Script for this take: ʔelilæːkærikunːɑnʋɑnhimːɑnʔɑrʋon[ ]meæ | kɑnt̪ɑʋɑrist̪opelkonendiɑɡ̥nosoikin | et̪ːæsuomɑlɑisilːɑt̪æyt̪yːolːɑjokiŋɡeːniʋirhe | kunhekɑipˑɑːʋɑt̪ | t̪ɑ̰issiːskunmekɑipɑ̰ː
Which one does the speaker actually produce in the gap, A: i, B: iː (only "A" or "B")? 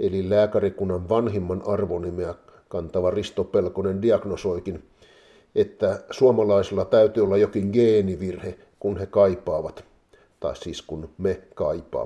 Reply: A